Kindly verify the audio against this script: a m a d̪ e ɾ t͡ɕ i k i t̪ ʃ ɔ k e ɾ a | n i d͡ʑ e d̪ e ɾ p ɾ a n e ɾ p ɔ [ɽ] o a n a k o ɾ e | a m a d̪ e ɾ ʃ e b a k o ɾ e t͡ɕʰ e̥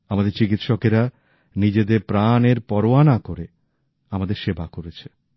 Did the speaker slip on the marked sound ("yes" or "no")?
yes